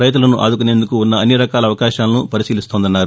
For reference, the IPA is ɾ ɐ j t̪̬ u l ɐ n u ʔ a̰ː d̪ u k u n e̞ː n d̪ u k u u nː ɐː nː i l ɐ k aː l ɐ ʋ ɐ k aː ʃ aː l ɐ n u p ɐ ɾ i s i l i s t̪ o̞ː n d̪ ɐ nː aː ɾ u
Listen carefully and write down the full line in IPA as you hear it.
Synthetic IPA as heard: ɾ ɐ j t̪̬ u l ɐ n u ʔ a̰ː d̪ u k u n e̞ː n d̪ u k u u nː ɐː nː i ɾ ɐ k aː l ɐ ʋ ɐ k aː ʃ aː l ɐ n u p ɐ ɾ i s iː l i s t̪ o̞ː n d̪ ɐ nː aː ɾ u